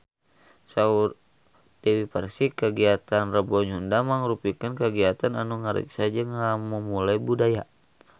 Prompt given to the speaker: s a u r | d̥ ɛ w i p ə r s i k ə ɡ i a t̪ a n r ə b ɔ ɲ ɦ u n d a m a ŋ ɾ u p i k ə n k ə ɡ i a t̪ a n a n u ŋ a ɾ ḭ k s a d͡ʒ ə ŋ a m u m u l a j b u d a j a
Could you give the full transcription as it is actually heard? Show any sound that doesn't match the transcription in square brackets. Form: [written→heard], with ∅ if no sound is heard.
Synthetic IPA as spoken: s a u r | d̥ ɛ w i p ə r s i k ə ɡ i a t̪ a n r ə b ɔ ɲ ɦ u n d a m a ŋ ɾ u p i k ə n k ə ɡ i a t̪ a n a n u ŋ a ɾ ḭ k s a d͡ʒ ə ŋ a m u m u l a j b u d a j a